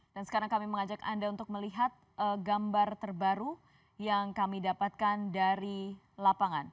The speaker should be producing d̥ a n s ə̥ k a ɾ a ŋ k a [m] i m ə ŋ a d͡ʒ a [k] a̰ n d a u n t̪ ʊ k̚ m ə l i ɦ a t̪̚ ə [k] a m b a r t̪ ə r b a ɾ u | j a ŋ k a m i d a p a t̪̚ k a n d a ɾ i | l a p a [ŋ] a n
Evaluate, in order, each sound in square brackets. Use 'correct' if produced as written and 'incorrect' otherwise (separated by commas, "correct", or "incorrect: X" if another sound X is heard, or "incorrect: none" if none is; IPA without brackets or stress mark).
correct, correct, incorrect: ɡ, correct